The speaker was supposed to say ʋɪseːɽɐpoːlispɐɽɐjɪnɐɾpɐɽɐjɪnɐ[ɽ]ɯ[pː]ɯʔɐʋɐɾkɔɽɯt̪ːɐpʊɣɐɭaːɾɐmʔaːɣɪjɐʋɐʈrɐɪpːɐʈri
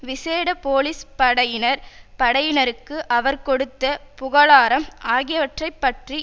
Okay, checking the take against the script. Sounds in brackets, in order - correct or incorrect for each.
incorrect, incorrect

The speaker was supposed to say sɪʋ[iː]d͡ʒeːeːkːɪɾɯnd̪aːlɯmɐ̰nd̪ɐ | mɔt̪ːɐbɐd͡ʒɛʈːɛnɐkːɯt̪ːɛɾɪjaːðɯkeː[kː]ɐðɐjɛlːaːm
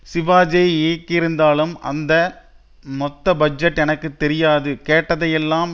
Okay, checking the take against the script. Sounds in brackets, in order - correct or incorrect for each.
incorrect, incorrect

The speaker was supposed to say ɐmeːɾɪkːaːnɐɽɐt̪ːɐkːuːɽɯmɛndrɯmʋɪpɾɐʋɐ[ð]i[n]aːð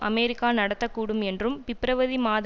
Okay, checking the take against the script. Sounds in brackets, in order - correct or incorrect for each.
correct, incorrect

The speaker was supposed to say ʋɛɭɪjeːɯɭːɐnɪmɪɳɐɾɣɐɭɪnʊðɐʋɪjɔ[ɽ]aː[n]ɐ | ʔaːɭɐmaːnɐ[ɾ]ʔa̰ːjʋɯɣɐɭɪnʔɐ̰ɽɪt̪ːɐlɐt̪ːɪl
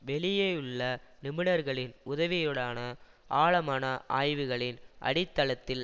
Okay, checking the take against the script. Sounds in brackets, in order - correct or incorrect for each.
correct, correct, incorrect

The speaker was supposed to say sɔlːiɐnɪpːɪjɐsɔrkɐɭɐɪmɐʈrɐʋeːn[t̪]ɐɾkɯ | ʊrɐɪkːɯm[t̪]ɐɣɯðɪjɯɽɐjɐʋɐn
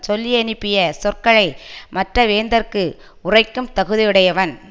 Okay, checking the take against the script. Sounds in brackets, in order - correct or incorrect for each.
incorrect, correct

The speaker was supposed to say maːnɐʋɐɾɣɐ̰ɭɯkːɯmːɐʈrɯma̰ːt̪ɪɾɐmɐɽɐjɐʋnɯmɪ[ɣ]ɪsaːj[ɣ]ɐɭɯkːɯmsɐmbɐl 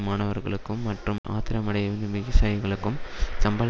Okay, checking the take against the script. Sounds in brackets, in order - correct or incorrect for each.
correct, correct

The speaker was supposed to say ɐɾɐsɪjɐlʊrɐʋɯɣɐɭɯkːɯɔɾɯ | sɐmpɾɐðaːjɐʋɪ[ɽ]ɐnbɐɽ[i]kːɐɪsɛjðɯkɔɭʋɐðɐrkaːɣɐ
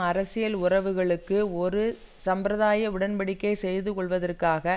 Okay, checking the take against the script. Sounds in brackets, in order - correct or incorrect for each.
correct, incorrect

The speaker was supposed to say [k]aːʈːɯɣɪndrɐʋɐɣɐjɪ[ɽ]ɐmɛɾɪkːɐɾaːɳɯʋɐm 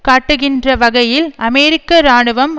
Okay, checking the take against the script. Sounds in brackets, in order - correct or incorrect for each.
correct, incorrect

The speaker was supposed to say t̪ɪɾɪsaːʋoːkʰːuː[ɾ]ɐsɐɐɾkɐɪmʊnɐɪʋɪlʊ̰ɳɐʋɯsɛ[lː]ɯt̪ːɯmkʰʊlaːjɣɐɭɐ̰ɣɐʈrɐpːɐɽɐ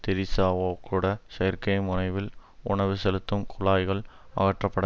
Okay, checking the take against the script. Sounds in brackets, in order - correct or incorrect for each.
incorrect, incorrect

